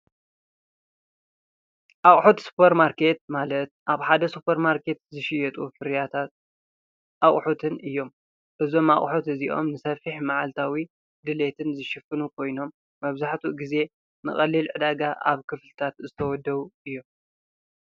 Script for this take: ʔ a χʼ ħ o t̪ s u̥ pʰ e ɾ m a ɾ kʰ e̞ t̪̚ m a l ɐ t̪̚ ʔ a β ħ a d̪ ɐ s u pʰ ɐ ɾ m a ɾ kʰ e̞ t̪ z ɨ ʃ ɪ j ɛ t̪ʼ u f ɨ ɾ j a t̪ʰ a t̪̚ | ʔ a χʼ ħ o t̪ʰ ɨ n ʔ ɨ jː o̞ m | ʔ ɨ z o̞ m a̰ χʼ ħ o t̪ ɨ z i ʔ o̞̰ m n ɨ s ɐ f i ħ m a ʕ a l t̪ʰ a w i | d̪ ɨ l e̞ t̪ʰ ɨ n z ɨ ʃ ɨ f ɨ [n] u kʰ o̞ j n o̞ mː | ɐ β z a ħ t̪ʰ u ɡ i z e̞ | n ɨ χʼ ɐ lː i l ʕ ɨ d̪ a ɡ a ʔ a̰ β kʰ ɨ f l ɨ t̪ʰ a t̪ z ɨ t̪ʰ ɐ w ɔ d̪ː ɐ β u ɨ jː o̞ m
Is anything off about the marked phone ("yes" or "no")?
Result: no